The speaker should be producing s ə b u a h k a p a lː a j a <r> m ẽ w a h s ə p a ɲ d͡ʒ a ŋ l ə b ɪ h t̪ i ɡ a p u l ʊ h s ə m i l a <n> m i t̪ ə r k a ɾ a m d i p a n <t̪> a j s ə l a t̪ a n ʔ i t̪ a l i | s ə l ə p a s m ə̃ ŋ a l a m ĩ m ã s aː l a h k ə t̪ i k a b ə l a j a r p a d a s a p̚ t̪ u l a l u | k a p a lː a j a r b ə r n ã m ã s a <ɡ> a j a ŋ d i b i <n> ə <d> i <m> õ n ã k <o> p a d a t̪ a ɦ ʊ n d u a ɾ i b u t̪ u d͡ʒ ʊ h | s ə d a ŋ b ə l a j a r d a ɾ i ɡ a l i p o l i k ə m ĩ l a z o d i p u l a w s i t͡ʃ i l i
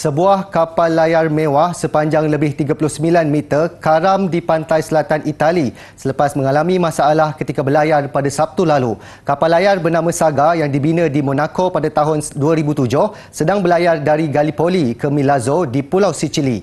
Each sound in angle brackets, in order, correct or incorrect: correct, correct, correct, correct, correct, correct, correct, correct

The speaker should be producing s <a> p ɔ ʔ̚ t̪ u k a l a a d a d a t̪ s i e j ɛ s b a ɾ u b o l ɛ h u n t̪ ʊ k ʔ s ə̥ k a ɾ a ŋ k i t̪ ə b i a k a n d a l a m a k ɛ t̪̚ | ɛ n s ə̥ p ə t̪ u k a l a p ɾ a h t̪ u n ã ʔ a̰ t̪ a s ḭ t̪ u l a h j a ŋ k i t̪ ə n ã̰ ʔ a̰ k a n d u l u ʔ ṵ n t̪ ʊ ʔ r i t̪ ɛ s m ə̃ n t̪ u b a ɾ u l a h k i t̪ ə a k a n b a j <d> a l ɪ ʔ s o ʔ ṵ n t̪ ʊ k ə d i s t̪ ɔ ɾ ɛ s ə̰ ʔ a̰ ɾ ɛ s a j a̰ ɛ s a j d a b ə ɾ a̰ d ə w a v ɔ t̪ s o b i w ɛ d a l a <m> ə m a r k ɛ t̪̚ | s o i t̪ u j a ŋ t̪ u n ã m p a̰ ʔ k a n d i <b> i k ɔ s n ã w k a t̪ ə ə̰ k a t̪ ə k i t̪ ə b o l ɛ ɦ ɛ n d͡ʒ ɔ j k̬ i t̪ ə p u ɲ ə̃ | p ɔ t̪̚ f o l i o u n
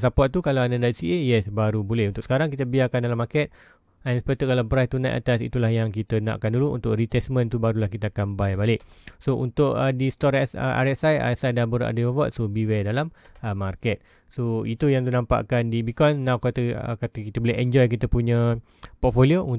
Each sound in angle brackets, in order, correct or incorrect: correct, incorrect, correct, correct

